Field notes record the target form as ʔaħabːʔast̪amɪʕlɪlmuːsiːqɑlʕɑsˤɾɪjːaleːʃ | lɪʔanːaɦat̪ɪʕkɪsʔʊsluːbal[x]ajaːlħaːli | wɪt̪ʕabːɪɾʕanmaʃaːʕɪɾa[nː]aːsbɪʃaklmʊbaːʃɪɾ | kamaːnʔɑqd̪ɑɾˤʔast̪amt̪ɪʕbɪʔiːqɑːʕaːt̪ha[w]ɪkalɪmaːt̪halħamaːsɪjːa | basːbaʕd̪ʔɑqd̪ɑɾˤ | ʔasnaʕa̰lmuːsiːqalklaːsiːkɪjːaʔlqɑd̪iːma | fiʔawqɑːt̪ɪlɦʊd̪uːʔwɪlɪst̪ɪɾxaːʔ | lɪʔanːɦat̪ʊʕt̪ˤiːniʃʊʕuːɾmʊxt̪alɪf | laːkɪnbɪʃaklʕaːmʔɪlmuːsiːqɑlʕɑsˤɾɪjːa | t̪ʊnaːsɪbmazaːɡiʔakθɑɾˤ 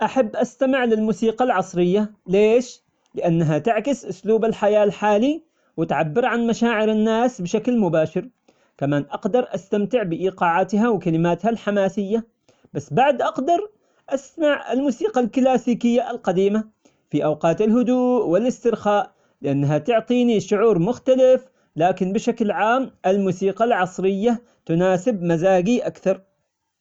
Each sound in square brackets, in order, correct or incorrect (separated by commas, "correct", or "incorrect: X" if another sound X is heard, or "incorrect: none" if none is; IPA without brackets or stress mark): incorrect: ħ, correct, correct